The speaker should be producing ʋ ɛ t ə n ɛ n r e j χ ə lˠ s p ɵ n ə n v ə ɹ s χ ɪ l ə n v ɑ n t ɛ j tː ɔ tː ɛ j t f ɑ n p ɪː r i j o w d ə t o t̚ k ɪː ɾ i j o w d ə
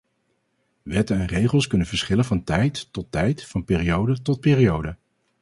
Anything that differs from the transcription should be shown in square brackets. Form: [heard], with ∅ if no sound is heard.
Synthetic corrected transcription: ʋ ɛ t ə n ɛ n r e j χ ə lˠ s [k] ɵ n ə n v ə ɹ s χ ɪ l ə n v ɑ n t ɛ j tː ɔ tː ɛ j t f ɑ n p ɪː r i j o w d ə t [ɔ] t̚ [p] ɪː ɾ i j o w d ə

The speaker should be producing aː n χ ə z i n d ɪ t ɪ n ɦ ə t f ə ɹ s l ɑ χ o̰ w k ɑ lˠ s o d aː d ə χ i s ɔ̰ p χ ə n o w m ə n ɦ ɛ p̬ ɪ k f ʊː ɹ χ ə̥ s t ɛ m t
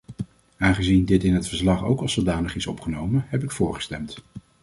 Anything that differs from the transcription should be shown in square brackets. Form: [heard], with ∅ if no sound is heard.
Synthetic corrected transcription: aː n χ ə z i n d ɪ t ɪ n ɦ ə t f ə ɹ s l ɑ χ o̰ w k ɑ lˠ s o d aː [n] ə χ [ɪ] s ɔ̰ p χ ə n o w m ə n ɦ ɛ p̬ ɪ k f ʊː ɹ χ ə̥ s t ɛ m t

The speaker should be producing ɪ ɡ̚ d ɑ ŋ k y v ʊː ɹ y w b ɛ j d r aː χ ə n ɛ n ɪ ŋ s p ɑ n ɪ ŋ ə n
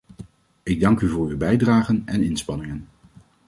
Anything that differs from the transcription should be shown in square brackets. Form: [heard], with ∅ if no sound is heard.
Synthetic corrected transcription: ɪ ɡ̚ d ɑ ŋ k y v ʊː ɹ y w b ɛ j d r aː χ ə n ɛ n ɪ [n] s p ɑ n ɪ ŋ ə n

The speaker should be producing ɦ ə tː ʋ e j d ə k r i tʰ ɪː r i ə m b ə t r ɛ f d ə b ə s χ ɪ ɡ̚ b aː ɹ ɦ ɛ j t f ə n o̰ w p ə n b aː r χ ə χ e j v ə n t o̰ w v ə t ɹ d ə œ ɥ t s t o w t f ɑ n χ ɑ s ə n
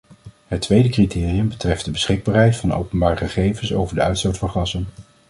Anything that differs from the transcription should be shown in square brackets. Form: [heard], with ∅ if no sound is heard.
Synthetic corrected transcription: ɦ ə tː ʋ e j d ə k r i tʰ ɪː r i ə m b ə t r ɛ f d ə b ə s χ ɪ ɡ̚ b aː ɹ ɦ ɛ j t f [ɑ] n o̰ w p ə n b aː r χ ə χ e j v ə n [s] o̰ w v ə [∅] ɹ d ə œ ɥ t s t o w t f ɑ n χ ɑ s ə n

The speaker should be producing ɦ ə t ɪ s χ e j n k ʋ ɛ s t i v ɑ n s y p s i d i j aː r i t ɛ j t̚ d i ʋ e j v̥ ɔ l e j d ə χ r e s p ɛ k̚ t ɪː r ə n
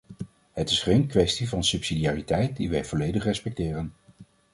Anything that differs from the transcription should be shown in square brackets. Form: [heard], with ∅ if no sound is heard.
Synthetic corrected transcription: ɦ ə t ɪ s χ e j n k ʋ ɛ s t i v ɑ n s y p s i d i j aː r i t ɛ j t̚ d i ʋ [ɛ] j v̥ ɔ l e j d ə χ r [ɛ] s p ɛ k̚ t ɪː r ə n

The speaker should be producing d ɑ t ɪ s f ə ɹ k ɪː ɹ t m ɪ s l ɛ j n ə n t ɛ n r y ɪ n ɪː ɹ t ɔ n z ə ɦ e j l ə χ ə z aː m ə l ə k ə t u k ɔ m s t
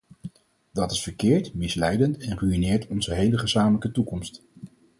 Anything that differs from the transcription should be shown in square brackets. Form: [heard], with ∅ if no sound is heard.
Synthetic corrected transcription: d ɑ t ɪ s f ə ɹ k ɪː ɹ t m ɪ s l ɛ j [d] ə n t ɛ n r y [i] n ɪː ɹ t ɔ n z ə ɦ e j l ə χ ə z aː m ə l ə k ə t u k ɔ m s t

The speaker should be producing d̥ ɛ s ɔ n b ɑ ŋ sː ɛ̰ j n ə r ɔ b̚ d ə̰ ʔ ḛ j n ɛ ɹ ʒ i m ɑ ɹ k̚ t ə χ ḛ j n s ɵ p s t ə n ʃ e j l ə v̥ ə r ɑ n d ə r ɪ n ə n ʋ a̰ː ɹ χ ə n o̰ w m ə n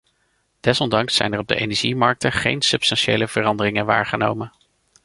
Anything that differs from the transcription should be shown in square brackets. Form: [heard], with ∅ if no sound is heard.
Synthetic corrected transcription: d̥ ɛ s ɔ n [d] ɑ ŋ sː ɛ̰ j n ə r ɔ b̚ d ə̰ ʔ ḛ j n ɛ ɹ ʒ i m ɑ ɹ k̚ t ə χ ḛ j n s ɵ p s t [ɑ] n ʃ e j l ə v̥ ə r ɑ n d ə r ɪ [ŋ] ə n ʋ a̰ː ɹ χ ə n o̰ w m ə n

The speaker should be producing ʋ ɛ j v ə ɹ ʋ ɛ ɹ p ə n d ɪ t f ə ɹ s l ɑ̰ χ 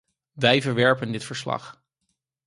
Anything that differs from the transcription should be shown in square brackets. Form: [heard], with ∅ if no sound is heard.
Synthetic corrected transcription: ʋ ɛ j v ə ɹ ʋ ɛ ɹ p ə n d ɪ t f ə ɹ s l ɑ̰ χ

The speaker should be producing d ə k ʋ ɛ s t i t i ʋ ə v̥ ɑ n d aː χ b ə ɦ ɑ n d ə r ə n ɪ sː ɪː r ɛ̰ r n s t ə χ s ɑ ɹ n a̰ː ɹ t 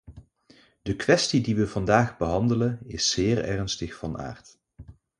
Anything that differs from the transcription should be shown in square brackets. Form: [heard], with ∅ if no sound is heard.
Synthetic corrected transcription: d ə k ʋ ɛ s t i [d] i ʋ ə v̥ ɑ n d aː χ b ə ɦ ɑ n d ə [l] ə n ɪ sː ɪː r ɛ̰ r n s t ə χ [f] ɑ [∅] n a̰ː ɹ t

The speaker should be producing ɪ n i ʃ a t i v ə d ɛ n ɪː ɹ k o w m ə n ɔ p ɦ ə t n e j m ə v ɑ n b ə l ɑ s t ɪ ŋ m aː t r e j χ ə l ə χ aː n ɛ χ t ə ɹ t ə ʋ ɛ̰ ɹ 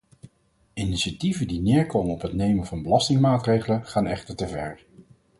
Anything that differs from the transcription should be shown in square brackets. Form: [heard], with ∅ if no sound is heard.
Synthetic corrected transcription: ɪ n i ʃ a t i v ə d [i] n ɪː ɹ k o w m ə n ɔ p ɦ ə t n e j m ə v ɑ n b ə l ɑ s t ɪ ŋ m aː t r e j χ ə l ə χ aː n ɛ χ t ə ɹ t ə [v] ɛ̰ ɹ

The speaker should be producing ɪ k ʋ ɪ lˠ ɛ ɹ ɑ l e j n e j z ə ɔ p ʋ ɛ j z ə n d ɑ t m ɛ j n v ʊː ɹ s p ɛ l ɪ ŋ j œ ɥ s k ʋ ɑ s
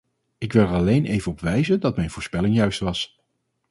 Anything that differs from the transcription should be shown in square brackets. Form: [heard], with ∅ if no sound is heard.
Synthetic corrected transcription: ɪ k ʋ ɪ lˠ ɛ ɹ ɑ l e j n e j [v] ə ɔ p ʋ ɛ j z ə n d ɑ t m ɛ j n v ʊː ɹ s p ɛ l ɪ ŋ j œ ɥ s [t] ʋ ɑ s

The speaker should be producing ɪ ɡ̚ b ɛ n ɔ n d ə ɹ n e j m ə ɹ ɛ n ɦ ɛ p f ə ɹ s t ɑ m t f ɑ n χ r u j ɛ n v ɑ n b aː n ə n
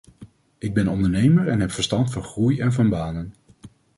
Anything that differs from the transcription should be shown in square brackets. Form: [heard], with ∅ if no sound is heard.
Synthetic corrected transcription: ɪ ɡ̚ b ɛ n ɔ n d ə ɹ n e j m ə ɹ ɛ n ɦ ɛ p f ə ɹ s t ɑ [n] t f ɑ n χ r u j ɛ n v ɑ n b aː n ə n

